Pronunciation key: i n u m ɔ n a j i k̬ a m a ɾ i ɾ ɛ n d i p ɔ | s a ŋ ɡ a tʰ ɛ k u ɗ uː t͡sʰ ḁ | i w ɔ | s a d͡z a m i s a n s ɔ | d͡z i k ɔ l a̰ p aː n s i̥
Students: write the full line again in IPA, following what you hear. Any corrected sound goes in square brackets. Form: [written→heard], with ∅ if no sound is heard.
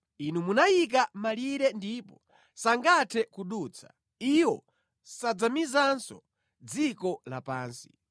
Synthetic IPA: i n u m [ɔ→u] n a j i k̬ a m a [ɾ→l] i ɾ ɛ n d i p ɔ | s a ŋ ɡ a tʰ ɛ k u ɗ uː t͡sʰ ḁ | i w ɔ | s a d͡z a m i [s→z] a n s ɔ | d͡z i k ɔ l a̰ p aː n s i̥